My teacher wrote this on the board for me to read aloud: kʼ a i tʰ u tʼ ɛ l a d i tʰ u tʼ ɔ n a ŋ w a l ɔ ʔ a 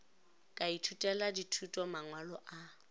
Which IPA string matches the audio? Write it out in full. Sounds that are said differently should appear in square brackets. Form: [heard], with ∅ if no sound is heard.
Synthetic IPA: kʼ a i tʰ u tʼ ɛ l a d i tʰ u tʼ ɔ [m] a ŋ w a l ɔ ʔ a